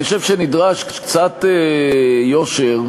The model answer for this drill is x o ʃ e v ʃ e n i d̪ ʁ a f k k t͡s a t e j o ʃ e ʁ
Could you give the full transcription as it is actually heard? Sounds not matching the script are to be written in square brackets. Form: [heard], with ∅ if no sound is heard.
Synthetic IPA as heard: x o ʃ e v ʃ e n i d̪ ʁ a [ʃ] k k t͡s a t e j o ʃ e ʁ